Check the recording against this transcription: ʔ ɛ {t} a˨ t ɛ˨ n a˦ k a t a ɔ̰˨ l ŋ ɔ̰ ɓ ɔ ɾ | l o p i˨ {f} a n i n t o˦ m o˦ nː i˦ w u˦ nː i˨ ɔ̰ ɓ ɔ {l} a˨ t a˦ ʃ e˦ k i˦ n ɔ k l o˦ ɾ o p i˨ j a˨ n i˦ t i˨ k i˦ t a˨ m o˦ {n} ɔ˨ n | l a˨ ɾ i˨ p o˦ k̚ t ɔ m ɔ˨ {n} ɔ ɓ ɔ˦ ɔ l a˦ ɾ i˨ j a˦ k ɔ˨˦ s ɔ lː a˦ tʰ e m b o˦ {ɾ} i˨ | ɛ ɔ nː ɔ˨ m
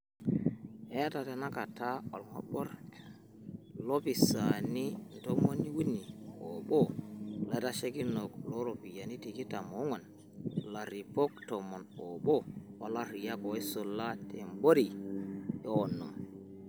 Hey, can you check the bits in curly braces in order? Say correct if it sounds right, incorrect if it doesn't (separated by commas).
correct, incorrect, correct, incorrect, correct, correct